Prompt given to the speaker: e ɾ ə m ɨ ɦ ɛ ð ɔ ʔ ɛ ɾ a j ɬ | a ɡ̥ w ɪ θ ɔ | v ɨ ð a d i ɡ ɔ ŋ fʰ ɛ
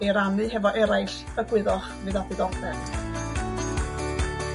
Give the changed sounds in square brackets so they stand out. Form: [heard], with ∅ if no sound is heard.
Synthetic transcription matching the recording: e ɾ [a] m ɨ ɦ ɛ [v] ɔ ʔ ɛ ɾ a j ɬ | [ə] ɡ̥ w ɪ [ð] ɔ | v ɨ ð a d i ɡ ɔ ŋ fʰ ɛ